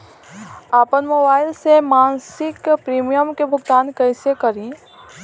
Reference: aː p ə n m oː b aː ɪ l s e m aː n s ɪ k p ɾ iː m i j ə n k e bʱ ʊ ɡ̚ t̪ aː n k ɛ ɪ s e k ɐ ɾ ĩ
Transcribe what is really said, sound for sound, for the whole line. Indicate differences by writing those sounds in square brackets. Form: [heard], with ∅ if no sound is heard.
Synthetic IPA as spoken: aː p ə n m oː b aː ɪ l s e m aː n s ɪ k p ɾ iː m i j ə [m] k e bʱ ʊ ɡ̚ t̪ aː n k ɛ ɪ s e k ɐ ɾ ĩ